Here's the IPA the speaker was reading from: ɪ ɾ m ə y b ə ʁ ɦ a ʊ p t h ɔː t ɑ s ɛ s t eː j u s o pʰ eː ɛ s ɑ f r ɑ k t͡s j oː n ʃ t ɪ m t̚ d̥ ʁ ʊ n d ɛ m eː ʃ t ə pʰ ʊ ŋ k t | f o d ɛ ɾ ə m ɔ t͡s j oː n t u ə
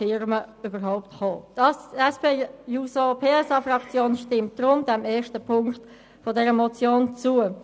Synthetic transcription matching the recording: ɪ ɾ m ə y b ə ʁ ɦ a ʊ p t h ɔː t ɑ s ɛ s p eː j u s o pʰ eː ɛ s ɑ f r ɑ k t͡s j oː n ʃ t ɪ m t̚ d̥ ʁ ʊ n d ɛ m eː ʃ t ə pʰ ʊ ŋ k t | f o d ɛ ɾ ə m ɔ t͡s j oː n t͡s u ə